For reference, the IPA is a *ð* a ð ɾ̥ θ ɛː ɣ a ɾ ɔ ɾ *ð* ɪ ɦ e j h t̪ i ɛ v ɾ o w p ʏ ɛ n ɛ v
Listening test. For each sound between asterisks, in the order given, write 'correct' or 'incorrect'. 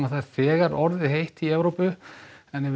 incorrect, correct

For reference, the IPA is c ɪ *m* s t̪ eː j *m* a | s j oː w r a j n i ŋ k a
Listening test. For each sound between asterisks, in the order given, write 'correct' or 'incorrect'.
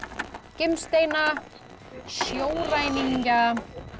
correct, incorrect

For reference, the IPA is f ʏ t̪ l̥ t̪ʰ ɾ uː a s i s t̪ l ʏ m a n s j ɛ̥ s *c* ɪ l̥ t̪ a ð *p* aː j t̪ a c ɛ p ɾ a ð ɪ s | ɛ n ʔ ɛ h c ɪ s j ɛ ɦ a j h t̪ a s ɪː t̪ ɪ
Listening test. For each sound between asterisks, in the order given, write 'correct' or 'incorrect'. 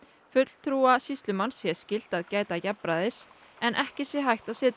correct, incorrect

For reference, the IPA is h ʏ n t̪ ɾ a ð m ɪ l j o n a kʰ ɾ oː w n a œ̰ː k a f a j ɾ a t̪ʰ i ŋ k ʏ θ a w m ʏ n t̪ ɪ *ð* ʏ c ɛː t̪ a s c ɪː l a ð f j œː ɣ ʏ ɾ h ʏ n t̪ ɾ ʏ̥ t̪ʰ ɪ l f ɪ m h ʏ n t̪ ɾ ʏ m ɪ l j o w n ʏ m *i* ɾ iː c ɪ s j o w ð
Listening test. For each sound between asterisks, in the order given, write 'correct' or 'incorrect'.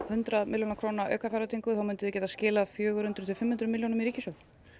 correct, correct

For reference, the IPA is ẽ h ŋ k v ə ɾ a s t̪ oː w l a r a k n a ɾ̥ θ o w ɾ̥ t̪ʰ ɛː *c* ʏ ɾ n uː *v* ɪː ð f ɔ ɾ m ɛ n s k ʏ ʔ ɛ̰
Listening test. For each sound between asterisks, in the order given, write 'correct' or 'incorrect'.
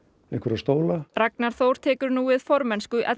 incorrect, correct

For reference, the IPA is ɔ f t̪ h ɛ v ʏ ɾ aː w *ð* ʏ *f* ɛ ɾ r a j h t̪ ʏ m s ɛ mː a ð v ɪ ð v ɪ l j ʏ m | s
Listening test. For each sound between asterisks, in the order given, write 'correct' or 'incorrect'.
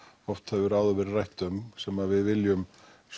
correct, incorrect

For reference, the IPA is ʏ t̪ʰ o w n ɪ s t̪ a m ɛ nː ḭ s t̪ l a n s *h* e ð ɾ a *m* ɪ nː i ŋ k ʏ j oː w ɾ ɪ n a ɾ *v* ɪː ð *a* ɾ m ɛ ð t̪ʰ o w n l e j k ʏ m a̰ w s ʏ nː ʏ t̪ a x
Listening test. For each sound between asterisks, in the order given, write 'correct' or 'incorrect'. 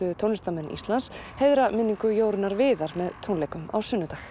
correct, correct, correct, correct

